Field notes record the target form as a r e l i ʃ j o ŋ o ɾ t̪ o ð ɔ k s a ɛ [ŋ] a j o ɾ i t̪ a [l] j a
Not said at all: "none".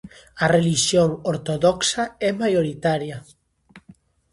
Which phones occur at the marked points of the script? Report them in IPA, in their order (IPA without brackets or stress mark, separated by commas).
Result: m, ɾ